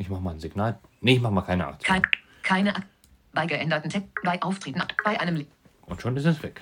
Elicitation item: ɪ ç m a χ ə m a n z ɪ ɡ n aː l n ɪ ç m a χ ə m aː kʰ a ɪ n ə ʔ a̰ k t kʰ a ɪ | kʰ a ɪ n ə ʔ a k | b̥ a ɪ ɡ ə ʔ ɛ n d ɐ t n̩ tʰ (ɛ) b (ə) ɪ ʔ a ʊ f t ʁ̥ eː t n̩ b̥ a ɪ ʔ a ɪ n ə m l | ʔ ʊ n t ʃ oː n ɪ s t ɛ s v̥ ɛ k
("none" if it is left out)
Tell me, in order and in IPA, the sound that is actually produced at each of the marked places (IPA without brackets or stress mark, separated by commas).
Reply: ɛ, a